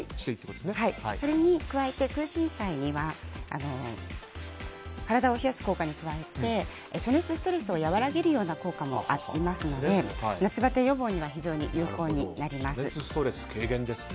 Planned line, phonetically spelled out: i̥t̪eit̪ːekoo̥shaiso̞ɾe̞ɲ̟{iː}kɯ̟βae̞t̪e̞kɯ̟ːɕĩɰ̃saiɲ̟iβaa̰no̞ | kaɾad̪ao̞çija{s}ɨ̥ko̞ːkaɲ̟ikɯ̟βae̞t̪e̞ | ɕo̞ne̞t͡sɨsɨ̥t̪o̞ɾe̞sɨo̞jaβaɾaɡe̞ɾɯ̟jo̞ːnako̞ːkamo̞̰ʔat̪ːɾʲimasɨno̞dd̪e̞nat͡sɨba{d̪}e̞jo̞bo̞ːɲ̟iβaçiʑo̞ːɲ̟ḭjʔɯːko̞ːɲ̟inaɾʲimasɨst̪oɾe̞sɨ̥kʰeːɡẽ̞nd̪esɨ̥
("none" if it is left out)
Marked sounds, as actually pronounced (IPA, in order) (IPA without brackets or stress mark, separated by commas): i, s, t̪